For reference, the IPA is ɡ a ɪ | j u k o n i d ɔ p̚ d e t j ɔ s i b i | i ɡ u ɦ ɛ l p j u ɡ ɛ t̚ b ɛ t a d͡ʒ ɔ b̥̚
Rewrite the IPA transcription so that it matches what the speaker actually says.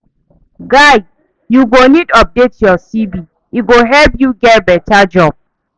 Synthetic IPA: ɡ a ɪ | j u ɡ o n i d ɔ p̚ d e t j ɔ s i b i | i ɡ o ɦ ɛ l p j u ɡ ɛ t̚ b ɛ t a d͡ʒ ɔ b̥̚